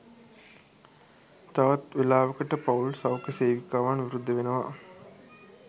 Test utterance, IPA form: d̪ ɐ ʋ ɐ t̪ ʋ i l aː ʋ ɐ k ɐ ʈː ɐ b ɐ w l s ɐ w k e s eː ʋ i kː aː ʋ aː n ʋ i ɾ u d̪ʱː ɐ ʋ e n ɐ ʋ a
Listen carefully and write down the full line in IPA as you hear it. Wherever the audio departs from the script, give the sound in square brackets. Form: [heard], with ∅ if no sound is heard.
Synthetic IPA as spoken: [t̪] ɐ ʋ ɐ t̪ ʋ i l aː ʋ ɐ k ɐ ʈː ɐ [p] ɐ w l s ɐ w k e s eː ʋ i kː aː ʋ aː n ʋ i ɾ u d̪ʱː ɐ ʋ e n ɐ ʋ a